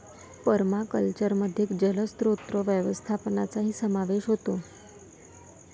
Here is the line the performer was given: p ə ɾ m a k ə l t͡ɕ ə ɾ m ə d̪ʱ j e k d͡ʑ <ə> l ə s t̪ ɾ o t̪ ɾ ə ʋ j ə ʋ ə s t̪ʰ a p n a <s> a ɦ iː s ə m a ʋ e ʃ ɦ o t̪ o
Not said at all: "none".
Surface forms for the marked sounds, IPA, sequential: ə, t͡s

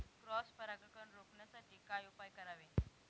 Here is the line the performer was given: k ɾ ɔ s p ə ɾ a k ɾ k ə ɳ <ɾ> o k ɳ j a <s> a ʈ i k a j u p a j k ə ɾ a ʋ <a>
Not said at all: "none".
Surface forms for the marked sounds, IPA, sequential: ɾ, t͡s, e

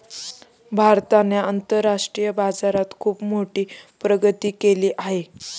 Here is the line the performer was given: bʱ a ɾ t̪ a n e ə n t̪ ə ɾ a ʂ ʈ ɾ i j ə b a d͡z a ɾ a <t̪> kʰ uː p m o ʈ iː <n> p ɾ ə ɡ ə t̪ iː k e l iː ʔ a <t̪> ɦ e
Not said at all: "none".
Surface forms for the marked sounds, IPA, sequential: t̪, none, none

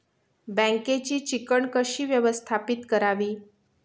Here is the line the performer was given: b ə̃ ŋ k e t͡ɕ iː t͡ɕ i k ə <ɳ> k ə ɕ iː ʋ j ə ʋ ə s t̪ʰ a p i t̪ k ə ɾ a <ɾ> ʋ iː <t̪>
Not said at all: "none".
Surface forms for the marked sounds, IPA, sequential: ɳ, none, none

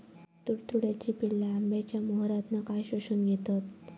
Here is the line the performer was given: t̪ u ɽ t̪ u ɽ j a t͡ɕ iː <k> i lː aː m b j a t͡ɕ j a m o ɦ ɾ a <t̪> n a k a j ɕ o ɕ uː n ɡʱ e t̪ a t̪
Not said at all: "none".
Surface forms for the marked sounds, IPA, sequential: p, t̪

